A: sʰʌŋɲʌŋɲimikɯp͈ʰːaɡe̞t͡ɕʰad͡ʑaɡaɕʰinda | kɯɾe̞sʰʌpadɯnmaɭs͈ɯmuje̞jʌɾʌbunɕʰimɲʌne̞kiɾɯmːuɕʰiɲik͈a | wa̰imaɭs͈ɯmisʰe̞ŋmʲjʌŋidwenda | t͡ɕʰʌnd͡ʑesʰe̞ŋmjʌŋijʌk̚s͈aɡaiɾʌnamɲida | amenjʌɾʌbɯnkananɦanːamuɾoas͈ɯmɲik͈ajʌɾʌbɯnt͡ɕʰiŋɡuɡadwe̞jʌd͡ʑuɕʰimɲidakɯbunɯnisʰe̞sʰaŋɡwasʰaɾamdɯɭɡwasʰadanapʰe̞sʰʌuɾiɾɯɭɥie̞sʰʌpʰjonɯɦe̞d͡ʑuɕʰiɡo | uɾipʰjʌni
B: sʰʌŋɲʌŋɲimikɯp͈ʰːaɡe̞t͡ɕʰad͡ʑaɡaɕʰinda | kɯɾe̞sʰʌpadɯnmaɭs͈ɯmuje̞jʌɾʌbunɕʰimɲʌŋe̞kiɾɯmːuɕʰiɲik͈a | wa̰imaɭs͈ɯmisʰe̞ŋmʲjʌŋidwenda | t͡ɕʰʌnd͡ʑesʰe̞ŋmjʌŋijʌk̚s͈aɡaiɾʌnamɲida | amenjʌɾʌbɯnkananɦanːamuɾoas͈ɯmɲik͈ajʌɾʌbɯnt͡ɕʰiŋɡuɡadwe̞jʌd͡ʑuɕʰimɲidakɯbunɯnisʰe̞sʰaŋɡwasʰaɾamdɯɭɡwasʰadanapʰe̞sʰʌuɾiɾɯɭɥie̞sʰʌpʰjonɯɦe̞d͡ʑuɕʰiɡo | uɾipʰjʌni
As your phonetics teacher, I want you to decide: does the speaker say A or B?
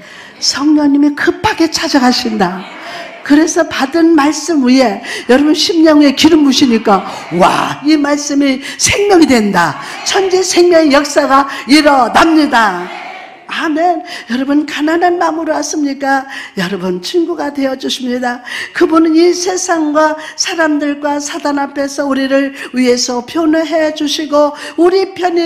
B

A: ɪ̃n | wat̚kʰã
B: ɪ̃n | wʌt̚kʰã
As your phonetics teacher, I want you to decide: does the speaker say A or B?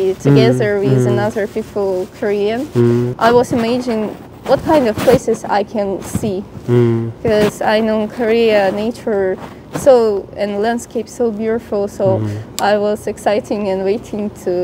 B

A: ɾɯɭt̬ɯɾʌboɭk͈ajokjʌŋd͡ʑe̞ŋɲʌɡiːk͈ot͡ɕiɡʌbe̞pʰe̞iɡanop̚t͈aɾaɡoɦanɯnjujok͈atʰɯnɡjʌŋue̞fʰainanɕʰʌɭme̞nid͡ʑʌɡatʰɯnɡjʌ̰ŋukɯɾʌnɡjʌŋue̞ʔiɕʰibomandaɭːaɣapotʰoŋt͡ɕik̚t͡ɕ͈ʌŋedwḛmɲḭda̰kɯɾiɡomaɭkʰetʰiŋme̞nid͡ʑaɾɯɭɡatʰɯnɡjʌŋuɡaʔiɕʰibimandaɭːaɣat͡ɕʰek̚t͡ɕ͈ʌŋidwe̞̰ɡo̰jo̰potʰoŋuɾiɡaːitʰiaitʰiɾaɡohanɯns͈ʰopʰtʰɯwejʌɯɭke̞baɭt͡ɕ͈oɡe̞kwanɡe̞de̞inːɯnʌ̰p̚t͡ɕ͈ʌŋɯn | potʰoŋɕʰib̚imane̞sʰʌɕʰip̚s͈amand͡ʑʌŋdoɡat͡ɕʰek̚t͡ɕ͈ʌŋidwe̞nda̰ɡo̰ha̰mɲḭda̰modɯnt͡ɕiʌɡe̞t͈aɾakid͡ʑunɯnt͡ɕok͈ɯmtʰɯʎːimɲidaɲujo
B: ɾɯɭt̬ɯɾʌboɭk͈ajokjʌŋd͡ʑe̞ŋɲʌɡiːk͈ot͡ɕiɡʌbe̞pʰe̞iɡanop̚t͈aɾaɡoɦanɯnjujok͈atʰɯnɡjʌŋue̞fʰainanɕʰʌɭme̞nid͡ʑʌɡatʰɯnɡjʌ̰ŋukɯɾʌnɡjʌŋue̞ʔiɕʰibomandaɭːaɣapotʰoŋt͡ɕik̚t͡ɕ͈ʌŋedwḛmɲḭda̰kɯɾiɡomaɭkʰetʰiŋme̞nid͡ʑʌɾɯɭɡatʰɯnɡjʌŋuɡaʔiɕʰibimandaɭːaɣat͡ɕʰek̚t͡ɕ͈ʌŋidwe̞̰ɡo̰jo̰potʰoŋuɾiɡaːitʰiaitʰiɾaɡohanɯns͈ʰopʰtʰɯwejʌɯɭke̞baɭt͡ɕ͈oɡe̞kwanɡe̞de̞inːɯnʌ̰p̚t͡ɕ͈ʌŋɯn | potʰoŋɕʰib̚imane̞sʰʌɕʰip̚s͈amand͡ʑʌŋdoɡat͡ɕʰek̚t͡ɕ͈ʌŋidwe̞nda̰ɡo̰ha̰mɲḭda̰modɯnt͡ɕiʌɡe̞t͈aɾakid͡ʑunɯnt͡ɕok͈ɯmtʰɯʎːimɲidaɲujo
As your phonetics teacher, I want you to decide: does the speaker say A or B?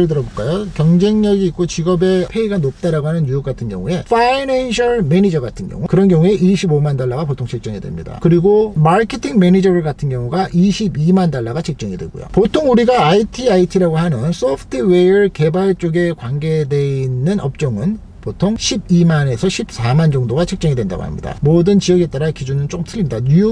B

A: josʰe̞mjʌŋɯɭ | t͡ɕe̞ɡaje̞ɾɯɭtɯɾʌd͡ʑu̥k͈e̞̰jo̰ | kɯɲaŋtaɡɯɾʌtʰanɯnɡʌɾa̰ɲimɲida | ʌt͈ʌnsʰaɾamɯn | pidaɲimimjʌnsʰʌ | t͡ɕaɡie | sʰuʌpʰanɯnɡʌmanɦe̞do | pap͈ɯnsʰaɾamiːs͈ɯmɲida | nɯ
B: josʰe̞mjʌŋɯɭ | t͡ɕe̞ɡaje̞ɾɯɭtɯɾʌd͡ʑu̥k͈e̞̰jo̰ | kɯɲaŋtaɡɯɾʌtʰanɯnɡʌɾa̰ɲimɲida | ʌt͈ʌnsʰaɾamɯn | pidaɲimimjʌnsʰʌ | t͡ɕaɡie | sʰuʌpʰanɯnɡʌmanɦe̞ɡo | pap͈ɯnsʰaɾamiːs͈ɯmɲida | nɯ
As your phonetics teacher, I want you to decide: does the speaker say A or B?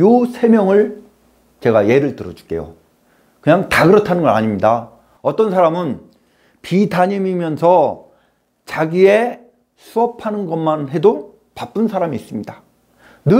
A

